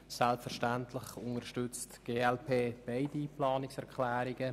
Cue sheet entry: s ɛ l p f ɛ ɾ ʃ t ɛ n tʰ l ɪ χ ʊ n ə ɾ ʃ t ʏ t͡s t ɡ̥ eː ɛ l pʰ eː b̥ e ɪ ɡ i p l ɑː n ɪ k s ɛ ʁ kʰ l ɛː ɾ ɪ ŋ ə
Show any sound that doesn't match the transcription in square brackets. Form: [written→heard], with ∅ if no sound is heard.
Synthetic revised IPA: s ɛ l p f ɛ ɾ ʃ t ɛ n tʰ l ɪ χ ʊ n ə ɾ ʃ t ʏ t͡s t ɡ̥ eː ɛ l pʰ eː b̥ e ɪ [ɡ→d] i p l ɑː n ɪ k s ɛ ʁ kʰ l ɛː ɾ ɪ [ŋ→ɡ] ə